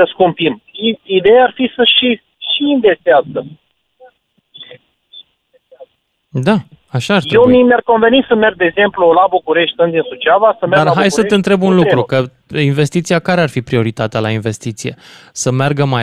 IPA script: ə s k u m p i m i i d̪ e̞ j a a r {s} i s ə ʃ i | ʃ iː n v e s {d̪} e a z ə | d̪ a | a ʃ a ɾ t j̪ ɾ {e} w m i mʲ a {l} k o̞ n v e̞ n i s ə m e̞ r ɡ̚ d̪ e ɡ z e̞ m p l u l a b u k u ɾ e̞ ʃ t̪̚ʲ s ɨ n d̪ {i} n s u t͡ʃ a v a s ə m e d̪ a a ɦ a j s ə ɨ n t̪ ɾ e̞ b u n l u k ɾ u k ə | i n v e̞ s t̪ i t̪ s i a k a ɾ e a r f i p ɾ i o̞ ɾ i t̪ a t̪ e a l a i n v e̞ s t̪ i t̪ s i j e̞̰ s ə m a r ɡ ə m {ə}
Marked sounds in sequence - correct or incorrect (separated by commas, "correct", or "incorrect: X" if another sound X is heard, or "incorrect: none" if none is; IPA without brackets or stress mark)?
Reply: incorrect: f, incorrect: t̪, correct, incorrect: r, correct, incorrect: a